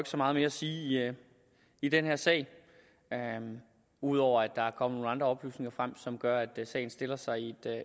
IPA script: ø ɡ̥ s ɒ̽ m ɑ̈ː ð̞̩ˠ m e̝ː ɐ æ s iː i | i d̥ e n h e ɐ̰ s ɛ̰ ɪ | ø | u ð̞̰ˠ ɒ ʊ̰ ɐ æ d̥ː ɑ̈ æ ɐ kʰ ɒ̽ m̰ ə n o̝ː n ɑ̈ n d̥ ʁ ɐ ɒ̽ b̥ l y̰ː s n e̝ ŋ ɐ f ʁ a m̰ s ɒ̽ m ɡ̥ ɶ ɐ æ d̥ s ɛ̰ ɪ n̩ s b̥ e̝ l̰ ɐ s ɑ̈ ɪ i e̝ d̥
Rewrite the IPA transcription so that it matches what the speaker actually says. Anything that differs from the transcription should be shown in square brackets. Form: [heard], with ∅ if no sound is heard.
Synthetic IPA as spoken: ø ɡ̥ s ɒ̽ m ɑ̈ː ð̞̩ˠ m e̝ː ɐ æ s iː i | i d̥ e n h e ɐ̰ s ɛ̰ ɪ | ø | u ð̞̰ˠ ɒ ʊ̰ ɐ æ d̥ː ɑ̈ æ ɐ kʰ ɒ̽ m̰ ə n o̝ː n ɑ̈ n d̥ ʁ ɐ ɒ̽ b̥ l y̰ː s n e̝ ŋ ɐ f ʁ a m̰ s ɒ̽ m ɡ̥ ɶ ɐ æ d̥ s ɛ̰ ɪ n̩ s [d̥] e̝ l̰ ɐ s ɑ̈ ɪ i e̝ d̥